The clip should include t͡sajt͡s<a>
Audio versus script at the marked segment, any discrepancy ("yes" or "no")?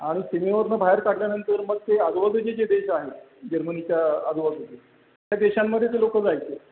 yes